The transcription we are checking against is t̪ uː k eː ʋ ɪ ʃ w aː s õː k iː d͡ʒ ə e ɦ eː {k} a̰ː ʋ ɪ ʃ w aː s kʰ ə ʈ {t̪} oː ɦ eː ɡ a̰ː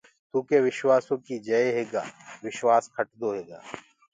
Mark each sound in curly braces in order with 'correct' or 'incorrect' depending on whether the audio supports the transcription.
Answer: incorrect, incorrect

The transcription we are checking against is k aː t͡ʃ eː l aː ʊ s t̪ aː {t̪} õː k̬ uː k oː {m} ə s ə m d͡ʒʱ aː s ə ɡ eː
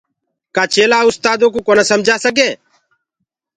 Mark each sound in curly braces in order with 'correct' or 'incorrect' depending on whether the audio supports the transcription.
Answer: incorrect, incorrect

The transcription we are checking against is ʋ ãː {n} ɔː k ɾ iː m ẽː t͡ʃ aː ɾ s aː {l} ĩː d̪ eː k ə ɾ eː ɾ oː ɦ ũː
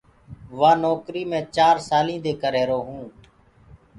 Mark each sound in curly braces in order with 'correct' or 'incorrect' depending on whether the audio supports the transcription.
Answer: correct, correct

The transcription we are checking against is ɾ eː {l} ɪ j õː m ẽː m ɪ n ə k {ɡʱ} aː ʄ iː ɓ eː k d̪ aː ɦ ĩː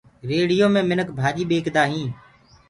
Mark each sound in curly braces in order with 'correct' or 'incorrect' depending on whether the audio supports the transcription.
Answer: incorrect, incorrect

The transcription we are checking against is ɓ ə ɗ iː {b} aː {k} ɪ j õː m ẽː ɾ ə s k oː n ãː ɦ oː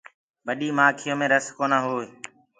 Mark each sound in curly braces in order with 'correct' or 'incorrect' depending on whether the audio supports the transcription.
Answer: incorrect, incorrect

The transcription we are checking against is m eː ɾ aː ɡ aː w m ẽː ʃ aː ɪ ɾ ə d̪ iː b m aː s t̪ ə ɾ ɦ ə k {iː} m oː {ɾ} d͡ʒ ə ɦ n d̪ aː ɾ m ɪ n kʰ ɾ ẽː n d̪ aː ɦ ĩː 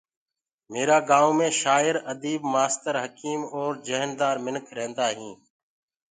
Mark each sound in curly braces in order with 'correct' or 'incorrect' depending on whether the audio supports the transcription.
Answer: correct, correct

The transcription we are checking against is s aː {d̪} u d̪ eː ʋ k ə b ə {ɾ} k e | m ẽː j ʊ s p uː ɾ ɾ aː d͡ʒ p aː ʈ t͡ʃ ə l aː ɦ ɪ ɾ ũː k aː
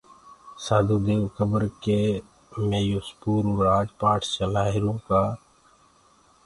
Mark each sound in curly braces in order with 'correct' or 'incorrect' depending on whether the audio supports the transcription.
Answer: correct, correct

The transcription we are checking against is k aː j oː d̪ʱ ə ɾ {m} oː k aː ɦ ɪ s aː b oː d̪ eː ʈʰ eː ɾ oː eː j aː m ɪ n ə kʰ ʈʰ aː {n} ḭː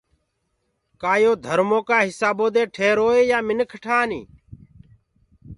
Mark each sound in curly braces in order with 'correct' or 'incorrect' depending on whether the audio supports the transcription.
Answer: correct, correct

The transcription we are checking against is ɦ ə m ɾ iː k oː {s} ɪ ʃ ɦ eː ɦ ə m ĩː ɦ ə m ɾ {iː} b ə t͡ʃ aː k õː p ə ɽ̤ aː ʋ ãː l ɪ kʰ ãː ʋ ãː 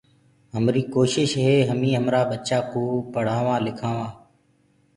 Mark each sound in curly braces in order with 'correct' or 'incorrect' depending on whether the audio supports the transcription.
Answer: incorrect, incorrect

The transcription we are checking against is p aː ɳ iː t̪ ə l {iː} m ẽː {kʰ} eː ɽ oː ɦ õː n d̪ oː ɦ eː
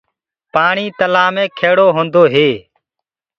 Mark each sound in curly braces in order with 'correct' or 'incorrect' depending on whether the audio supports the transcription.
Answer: incorrect, correct

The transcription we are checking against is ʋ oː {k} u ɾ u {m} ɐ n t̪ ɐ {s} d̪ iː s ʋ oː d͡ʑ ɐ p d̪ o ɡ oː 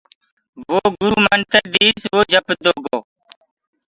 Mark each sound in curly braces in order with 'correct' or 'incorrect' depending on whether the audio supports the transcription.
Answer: incorrect, correct, incorrect

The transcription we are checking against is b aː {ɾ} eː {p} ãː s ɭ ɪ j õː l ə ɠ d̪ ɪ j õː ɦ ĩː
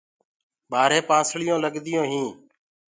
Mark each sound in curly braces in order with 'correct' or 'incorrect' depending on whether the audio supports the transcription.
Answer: correct, correct

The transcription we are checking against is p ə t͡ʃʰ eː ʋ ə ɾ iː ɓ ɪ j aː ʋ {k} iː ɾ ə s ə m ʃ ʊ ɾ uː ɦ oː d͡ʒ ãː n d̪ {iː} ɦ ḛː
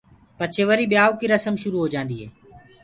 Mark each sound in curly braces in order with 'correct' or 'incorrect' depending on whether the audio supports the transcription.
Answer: correct, correct

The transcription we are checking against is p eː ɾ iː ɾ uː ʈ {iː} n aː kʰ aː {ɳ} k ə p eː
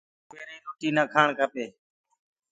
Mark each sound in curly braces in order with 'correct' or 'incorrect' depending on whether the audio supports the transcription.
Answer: correct, correct

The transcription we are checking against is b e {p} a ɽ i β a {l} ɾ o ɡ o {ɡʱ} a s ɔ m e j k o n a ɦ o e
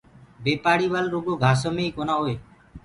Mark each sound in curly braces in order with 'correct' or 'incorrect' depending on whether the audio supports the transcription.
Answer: correct, correct, correct

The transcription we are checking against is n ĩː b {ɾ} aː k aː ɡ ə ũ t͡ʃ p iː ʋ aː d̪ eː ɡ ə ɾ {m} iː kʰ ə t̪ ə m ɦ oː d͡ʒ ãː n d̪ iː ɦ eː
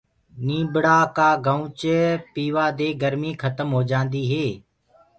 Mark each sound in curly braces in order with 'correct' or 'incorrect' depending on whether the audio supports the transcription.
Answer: incorrect, correct

